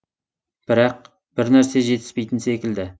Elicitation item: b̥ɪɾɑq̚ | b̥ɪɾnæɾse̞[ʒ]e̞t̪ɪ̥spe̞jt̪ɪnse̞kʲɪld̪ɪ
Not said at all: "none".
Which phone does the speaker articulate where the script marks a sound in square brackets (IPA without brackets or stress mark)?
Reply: ʒ